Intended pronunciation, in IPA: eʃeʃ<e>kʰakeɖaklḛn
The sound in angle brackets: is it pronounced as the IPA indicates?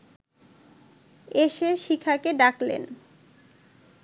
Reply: no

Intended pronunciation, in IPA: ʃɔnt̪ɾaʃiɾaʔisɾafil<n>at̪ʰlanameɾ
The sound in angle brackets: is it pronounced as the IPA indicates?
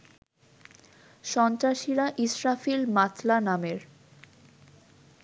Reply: no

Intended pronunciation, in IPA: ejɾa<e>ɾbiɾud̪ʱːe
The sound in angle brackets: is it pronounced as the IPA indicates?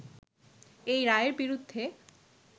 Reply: yes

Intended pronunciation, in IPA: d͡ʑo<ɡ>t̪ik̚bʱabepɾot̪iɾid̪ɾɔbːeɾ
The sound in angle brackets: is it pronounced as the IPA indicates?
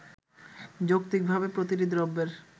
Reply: no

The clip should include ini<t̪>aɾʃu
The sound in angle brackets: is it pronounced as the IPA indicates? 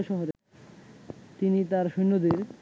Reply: yes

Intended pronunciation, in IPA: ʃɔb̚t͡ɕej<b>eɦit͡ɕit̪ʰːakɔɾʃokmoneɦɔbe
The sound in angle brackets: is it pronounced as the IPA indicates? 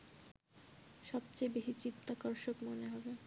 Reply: yes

